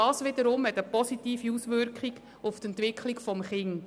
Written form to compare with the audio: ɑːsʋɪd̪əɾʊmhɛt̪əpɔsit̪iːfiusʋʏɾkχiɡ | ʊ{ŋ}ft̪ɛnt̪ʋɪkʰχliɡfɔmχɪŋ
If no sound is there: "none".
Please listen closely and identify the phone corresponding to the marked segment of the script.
none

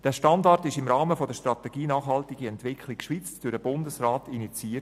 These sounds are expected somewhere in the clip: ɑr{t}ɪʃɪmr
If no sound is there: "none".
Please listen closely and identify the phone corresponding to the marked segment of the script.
t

